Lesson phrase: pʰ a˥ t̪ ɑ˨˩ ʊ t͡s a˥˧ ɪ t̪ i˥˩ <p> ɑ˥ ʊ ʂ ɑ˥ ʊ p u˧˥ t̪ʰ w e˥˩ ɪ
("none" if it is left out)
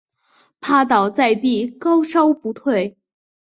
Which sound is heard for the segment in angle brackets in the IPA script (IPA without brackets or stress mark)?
k